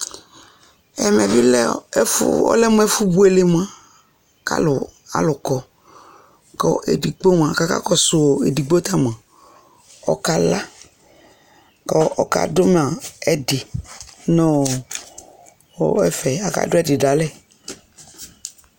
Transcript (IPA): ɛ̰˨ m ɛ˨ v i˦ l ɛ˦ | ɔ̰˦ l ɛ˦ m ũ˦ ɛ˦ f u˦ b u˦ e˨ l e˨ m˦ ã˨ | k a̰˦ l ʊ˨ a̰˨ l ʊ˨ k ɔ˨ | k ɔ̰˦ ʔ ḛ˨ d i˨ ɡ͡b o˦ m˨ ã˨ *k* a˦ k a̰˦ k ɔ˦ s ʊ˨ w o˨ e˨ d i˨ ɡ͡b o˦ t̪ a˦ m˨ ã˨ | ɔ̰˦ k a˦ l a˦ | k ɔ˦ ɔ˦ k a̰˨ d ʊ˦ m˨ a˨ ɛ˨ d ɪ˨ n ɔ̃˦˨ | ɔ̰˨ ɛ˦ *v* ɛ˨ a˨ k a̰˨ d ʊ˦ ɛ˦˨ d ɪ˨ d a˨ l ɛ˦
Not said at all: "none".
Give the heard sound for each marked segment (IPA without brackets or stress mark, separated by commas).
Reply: k, f